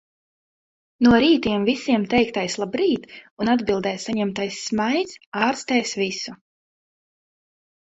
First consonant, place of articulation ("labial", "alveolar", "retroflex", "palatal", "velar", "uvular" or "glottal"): alveolar